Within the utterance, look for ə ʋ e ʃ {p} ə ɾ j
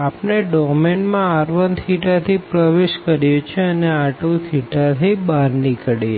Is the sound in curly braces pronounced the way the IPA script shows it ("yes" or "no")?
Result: no